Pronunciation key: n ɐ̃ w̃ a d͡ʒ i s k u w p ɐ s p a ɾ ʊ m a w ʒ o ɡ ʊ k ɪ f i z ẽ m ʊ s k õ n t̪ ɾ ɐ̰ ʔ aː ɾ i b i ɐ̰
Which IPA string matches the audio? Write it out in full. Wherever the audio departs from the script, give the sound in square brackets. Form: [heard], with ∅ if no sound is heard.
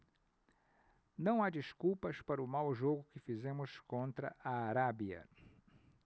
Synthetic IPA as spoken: n ɐ̃ w̃ a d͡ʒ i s k u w p ɐ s p a ɾ ʊ m a w ʒ o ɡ ʊ k ɪ f i z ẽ m ʊ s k õ n t̪ ɾ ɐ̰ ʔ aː ɾ [a] b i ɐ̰

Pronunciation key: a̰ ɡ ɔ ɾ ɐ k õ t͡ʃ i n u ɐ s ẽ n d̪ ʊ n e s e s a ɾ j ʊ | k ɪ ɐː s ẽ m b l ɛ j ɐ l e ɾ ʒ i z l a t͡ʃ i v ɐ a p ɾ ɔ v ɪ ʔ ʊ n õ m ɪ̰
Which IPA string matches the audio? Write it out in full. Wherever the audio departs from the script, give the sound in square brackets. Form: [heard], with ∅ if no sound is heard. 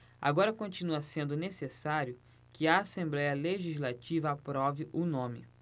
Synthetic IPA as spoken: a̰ ɡ ɔ ɾ ɐ k õ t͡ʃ i n u ɐ s ẽ n d̪ ʊ n e s e s a ɾ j ʊ | k ɪ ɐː s ẽ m b l ɛ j ɐ l e [∅] ʒ i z l a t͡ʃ i v ɐ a p ɾ ɔ v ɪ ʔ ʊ n õ m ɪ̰

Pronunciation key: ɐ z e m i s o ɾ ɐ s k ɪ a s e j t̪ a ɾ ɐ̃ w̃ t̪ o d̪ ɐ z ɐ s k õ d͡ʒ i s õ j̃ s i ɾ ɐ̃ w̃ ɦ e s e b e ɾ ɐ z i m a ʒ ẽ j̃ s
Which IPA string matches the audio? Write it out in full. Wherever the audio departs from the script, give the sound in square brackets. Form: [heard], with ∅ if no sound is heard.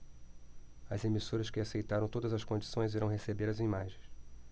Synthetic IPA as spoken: ɐ z e m i s o ɾ ɐ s k ɪ a s e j t̪ a ɾ ɐ̃ w̃ t̪ o d̪ ɐ z ɐ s k õ d͡ʒ i s õ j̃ [z] i ɾ ɐ̃ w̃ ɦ e s e b e ɾ ɐ z i m a ʒ ẽ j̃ s

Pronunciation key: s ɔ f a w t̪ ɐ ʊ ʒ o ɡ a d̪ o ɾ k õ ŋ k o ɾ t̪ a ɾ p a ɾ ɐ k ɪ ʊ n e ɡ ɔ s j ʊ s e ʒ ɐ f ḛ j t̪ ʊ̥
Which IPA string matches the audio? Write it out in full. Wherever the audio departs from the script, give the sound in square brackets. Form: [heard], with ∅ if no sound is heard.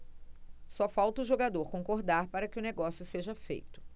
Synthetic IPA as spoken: s ɔ f a w t̪ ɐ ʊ ʒ o ɡ a d̪ o ɾ k õ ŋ k o ɾ [d̪] a ɾ p a ɾ ɐ k ɪ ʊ n e ɡ ɔ s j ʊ s e ʒ ɐ f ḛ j t̪ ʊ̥

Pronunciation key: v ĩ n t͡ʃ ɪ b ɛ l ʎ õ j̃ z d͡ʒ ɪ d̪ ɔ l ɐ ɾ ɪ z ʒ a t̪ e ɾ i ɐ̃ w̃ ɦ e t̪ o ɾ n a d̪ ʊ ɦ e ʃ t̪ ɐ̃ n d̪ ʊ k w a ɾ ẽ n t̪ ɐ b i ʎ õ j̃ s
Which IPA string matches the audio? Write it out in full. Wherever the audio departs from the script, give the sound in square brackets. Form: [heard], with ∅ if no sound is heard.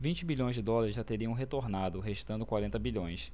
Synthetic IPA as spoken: v ĩ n t͡ʃ ɪ b [i] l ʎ õ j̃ z d͡ʒ ɪ d̪ ɔ l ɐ ɾ ɪ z ʒ a t̪ e ɾ i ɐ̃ w̃ ɦ e t̪ o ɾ n a d̪ ʊ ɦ e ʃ t̪ ɐ̃ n d̪ ʊ k w a ɾ ẽ n t̪ ɐ b i ʎ õ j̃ s

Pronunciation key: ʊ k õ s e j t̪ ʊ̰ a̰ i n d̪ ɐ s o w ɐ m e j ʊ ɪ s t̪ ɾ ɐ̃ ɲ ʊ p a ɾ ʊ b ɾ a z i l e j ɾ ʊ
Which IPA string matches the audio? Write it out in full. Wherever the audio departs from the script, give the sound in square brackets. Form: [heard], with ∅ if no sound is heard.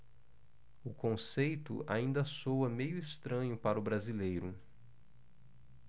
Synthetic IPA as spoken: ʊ k õ s e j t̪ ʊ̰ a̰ [ĩ] n d̪ ɐ s o w ɐ m e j ʊ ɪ s t̪ ɾ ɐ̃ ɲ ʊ p a ɾ ʊ b ɾ a z i l e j ɾ ʊ

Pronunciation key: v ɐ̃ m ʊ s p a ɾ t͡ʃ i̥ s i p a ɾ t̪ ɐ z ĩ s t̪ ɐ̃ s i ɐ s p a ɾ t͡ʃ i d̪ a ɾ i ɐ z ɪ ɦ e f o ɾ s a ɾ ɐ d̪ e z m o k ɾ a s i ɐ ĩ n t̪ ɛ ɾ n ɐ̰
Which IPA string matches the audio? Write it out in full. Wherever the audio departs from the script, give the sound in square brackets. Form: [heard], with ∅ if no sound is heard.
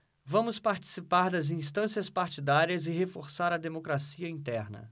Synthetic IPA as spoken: v ɐ̃ m ʊ s p a ɾ t͡ʃ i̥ s i p a ɾ [d̪] ɐ z ĩ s t̪ ɐ̃ s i ɐ s p a ɾ t͡ʃ i d̪ a ɾ i ɐ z ɪ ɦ e f o ɾ s a ɾ ɐ d̪ e [∅] m o k ɾ a s i ɐ ĩ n t̪ ɛ ɾ n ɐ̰

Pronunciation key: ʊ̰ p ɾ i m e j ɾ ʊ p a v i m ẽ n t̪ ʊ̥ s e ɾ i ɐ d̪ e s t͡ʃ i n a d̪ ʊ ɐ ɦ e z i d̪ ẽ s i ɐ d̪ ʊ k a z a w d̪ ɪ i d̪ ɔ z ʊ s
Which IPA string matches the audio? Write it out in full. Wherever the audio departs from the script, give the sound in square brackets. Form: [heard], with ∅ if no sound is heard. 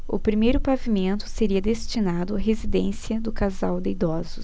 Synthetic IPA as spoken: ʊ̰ p ɾ i m e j ɾ ʊ p a v i m ẽ n t̪ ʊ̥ s e ɾ i ɐ d̪ e s t͡ʃ i n a d̪ ʊ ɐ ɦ e z i d̪ ẽ s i ɐ d̪ ʊ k a z a w d̪ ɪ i d̪ ɔ z ʊ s

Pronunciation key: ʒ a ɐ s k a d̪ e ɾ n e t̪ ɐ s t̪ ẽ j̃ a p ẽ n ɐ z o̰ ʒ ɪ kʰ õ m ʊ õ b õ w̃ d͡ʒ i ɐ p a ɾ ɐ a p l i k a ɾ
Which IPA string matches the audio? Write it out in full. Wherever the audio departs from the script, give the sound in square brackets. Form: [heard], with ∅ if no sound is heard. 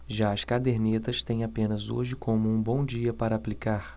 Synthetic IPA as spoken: ʒ a ɐ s k a d̪ e ɾ n e t̪ ɐ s t̪ ẽ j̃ a p ẽ n ɐ z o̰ ʒ ɪ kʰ õ m ʊ [ũ] b õ w̃ d͡ʒ i ɐ p a ɾ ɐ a p l i k a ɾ

